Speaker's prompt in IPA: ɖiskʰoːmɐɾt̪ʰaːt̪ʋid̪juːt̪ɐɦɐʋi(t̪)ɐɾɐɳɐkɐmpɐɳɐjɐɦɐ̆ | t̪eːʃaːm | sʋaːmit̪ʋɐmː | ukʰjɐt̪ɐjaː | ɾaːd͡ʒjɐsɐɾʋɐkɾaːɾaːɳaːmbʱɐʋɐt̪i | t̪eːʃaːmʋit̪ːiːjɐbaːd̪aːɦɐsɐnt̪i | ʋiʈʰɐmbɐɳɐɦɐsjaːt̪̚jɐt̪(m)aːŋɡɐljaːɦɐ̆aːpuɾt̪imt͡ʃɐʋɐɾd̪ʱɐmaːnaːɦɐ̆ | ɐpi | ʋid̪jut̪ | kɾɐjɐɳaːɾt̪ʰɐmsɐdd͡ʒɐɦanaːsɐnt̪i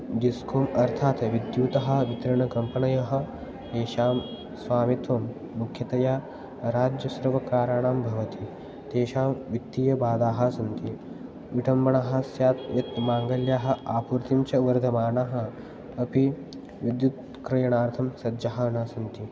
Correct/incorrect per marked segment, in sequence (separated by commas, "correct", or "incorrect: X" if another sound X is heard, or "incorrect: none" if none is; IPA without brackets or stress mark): correct, correct